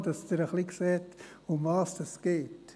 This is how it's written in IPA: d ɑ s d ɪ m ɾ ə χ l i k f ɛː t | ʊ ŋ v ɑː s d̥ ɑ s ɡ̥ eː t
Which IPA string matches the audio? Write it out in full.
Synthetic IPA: d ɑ s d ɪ ɾ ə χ l i k s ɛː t | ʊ m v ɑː s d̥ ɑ s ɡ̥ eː t